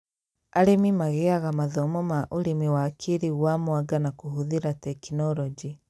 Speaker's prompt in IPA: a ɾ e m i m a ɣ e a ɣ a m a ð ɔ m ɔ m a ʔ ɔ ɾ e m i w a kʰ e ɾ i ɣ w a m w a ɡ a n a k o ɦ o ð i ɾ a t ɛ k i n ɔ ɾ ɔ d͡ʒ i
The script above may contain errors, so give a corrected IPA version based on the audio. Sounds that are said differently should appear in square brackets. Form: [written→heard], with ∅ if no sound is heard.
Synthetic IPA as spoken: a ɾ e m i m a ɣ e a ɣ a m a ð ɔ m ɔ m a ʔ [ɔ→o] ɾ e m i w a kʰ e ɾ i ɣ w a m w a ɡ a n a k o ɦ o ð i ɾ a t ɛ k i n ɔ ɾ ɔ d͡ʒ i